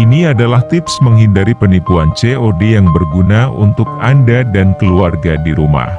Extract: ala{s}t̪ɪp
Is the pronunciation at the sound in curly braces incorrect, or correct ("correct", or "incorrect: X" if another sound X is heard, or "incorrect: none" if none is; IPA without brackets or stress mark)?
incorrect: h